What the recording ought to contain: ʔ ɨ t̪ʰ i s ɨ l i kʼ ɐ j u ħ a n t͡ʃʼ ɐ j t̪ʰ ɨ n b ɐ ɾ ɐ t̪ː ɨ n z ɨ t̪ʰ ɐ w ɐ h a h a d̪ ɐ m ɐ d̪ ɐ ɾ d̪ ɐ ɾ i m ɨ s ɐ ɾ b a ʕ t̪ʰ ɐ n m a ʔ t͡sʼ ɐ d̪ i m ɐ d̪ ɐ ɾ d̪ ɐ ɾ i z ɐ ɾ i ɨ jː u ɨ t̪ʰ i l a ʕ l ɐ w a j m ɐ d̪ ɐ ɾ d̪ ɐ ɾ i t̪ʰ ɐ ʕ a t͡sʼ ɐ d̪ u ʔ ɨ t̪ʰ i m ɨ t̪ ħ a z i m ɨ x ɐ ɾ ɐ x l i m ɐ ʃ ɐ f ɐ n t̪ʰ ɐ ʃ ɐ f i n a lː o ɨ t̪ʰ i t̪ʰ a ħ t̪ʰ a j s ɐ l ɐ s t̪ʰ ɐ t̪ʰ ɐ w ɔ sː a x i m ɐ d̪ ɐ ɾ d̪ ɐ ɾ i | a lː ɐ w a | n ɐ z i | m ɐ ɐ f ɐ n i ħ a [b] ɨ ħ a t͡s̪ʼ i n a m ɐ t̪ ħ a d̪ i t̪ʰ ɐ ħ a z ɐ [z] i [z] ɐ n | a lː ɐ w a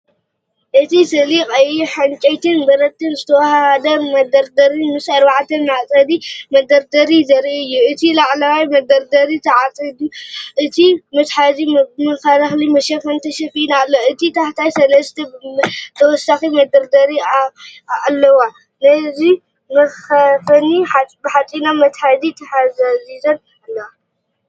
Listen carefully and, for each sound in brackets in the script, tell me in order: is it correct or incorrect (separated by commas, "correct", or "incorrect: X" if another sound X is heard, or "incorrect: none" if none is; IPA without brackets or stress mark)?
correct, correct, correct